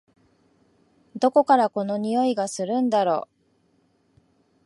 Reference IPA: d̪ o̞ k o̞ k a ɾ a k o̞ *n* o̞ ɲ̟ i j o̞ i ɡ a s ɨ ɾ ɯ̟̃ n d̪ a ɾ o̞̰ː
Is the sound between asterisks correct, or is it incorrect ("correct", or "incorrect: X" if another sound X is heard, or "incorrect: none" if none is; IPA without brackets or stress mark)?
correct